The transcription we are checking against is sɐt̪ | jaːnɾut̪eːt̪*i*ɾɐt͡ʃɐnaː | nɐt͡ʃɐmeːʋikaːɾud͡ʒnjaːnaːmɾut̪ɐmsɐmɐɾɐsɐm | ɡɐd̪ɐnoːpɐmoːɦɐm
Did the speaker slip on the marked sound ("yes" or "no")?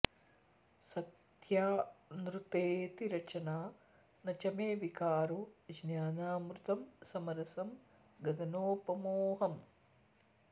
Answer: no